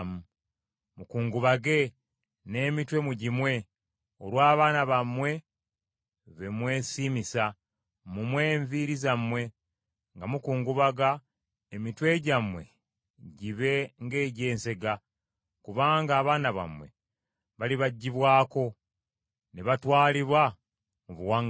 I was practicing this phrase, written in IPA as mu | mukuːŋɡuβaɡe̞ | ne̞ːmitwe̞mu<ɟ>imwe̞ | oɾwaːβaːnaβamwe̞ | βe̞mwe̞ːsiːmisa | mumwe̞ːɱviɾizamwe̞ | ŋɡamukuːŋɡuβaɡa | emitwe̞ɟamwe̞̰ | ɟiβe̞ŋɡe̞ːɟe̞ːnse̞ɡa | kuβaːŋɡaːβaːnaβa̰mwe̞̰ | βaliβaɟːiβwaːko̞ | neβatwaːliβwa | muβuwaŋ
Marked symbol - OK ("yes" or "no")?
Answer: yes